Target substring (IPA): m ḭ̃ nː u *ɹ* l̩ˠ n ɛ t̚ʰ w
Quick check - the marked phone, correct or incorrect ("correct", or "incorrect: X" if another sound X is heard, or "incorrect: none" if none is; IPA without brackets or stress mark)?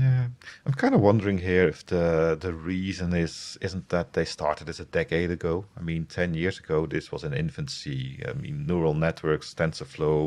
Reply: correct